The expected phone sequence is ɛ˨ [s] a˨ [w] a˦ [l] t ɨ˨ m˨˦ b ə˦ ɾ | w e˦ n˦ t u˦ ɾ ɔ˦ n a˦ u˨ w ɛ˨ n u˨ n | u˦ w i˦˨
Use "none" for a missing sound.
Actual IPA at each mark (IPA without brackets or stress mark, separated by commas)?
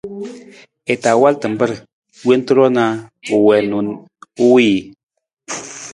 t, w, l